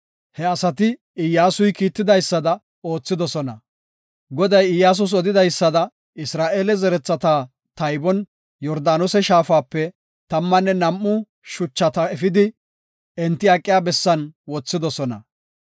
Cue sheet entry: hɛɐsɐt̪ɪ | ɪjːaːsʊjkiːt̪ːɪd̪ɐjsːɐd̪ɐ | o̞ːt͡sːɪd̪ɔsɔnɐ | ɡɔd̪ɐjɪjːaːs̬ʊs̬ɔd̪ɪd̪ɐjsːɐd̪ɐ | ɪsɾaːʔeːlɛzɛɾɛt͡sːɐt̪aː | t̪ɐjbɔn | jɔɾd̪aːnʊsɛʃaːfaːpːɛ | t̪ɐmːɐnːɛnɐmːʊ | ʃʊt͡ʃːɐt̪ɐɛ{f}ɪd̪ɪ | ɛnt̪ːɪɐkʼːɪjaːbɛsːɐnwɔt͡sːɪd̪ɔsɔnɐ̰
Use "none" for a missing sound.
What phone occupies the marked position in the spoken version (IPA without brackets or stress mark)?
f